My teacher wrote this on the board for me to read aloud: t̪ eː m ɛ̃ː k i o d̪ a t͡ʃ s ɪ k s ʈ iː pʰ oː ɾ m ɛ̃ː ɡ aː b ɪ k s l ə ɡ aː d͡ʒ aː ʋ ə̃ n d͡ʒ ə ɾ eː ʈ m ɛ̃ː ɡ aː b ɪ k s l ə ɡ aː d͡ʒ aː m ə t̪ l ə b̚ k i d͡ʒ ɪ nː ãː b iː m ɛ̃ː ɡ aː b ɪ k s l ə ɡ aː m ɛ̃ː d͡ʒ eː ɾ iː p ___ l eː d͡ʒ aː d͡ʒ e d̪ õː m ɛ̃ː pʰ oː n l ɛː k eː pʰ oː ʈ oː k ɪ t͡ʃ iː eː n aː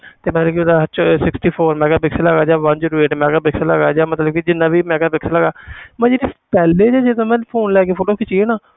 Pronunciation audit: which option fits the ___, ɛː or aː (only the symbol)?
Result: ɛː